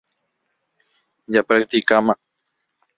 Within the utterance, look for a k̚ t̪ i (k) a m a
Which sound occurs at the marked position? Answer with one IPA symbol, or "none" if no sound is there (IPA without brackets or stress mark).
k